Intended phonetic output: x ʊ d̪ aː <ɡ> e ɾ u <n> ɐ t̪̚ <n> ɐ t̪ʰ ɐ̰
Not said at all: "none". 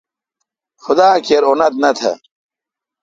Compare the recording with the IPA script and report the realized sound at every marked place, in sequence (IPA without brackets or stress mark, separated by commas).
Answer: k, n, n